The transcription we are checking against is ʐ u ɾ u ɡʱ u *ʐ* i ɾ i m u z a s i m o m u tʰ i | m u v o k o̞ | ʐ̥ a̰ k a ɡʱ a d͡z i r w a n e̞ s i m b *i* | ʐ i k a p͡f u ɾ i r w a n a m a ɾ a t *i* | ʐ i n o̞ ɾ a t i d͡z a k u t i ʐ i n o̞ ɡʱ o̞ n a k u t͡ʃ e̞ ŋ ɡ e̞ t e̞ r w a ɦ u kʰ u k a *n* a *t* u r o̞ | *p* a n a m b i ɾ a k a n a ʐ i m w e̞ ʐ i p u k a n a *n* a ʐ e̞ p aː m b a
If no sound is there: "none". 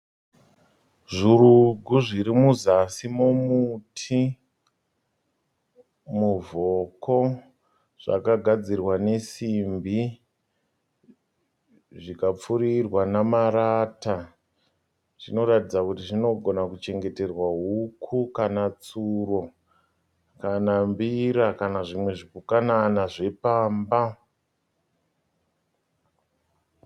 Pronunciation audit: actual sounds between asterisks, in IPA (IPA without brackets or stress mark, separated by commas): ʐ, i, a, n, t͡s, k, n